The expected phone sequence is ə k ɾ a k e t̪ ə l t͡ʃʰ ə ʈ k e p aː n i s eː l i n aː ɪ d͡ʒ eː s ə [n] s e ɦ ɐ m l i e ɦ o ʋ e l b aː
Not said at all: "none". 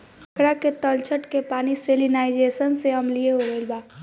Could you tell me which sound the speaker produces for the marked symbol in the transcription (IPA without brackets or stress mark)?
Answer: n